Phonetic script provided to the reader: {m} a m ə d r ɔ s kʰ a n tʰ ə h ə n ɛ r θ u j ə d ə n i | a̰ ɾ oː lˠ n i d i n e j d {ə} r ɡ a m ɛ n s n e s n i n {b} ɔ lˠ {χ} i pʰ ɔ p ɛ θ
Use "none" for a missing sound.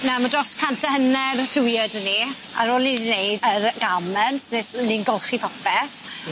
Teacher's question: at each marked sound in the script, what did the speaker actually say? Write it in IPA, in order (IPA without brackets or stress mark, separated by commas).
n, ə, ɡ, χ